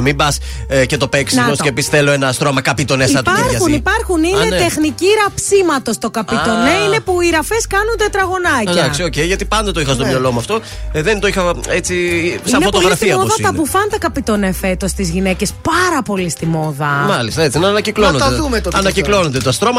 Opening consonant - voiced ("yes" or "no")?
yes